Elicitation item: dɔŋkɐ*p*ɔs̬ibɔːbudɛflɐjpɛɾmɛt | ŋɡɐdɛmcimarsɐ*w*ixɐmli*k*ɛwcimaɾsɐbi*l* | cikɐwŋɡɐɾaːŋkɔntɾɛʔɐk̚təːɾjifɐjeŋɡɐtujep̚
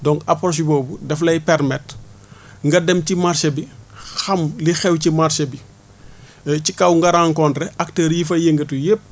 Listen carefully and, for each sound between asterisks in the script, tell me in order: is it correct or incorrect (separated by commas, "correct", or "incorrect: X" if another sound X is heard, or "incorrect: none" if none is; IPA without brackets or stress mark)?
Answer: correct, incorrect: b, incorrect: x, incorrect: none